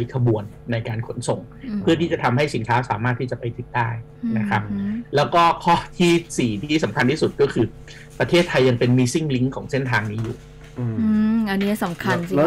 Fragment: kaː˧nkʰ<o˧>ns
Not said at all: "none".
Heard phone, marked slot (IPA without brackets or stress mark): o˦˥